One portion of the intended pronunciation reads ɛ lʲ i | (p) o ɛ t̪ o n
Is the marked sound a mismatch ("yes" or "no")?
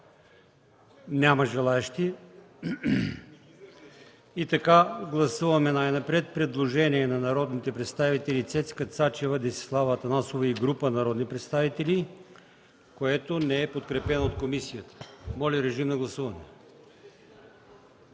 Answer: yes